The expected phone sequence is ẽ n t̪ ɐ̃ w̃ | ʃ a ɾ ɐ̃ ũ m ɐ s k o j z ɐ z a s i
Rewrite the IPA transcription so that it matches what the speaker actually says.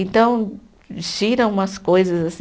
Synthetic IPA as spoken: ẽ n t̪ ɐ̃ w̃ | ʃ i ɾ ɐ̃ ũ m ɐ s k o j z ɐ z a s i